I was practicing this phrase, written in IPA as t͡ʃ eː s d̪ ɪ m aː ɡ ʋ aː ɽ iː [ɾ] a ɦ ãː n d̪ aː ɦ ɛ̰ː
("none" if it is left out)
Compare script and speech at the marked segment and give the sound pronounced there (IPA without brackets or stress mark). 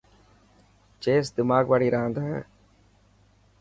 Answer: ɾ